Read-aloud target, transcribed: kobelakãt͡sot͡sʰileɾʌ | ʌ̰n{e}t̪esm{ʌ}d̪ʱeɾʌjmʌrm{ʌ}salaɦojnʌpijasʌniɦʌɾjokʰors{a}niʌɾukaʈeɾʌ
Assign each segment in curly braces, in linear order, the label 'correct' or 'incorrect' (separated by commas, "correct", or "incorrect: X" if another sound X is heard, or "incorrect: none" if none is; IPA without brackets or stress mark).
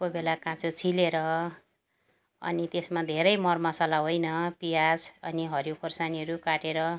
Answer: incorrect: i, incorrect: a, correct, correct